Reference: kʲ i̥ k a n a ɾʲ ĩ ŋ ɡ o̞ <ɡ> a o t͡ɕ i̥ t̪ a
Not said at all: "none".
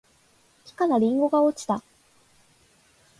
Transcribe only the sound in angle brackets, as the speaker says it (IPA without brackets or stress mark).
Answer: ɡ